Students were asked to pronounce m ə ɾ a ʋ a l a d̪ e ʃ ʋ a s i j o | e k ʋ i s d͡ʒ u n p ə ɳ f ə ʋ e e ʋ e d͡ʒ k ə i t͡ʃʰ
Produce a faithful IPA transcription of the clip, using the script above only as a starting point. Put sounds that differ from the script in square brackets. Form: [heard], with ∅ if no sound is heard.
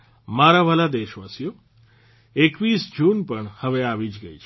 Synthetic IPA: m [a] ɾ a ʋ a l a d̪ e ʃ ʋ a s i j o | e k ʋ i s d͡ʒ u n p ə ɳ [h] ə ʋ e [a] ʋ [i] d͡ʒ [ɡ] ə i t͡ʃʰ